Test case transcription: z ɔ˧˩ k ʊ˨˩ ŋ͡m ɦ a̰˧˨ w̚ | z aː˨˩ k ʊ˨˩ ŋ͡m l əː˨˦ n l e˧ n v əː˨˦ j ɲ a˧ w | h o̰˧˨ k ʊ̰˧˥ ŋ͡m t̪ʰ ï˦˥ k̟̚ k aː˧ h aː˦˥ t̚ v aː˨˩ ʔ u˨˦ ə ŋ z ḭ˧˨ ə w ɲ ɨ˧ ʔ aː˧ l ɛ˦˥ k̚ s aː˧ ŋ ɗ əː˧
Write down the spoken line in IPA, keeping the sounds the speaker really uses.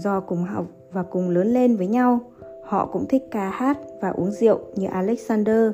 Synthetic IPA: z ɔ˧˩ k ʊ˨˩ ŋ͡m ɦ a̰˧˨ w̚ | v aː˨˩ k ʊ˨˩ ŋ͡m l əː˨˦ n l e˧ n v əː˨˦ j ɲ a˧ w | h ɔ̰˧˨ k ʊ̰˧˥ ŋ͡m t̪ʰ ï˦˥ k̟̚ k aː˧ h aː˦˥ t̚ v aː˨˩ ʔ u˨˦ ə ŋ z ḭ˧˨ ə w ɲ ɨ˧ ʔ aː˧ l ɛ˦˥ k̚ s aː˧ n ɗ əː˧